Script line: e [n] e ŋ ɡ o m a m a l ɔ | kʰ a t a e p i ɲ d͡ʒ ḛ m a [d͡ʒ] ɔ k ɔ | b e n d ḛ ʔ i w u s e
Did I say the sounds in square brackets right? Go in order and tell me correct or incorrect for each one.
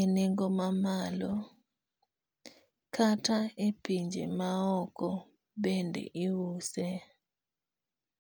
correct, incorrect

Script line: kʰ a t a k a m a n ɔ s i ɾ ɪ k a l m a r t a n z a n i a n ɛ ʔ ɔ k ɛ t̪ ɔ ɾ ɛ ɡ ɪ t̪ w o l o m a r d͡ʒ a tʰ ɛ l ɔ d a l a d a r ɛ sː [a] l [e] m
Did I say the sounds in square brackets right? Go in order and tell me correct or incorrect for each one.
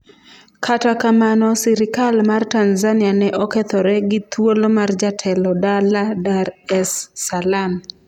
correct, incorrect

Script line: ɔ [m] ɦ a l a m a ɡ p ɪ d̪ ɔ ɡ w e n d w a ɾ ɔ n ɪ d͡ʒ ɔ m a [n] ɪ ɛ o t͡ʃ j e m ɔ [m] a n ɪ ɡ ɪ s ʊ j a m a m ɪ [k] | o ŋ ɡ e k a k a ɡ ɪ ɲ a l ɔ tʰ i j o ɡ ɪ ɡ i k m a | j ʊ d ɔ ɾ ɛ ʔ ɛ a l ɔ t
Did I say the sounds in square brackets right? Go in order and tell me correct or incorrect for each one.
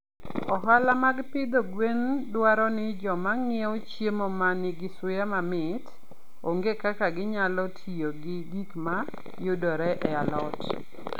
incorrect, incorrect, correct, incorrect

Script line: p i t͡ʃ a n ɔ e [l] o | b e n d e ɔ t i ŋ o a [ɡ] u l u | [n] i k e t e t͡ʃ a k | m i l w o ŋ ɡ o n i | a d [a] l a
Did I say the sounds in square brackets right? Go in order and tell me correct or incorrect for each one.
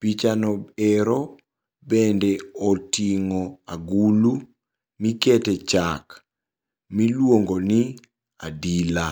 incorrect, correct, incorrect, incorrect

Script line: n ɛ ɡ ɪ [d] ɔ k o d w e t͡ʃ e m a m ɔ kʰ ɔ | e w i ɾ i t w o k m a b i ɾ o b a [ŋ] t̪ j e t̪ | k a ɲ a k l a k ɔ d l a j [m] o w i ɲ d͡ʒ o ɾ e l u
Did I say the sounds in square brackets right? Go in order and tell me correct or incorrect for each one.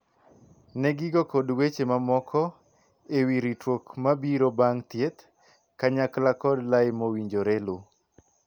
incorrect, correct, correct

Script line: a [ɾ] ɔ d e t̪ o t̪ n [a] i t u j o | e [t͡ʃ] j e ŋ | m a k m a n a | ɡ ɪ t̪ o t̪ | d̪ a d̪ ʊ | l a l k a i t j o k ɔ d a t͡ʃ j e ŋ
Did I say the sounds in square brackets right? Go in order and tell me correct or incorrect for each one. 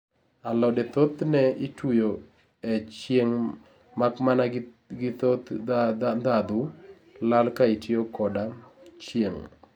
incorrect, incorrect, correct

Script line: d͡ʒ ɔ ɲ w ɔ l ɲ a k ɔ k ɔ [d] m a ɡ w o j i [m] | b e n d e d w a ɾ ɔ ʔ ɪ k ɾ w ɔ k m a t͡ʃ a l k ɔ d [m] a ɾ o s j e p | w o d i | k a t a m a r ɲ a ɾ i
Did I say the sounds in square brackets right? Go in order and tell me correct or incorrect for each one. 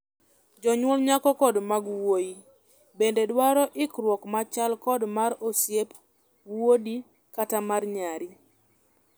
correct, incorrect, correct

